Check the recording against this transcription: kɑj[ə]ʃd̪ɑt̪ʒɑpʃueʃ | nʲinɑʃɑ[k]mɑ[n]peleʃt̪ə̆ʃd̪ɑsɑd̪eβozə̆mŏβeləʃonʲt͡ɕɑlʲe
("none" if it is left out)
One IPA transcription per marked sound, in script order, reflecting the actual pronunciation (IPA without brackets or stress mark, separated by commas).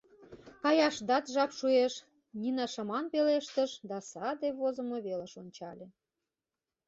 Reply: ɑ, none, n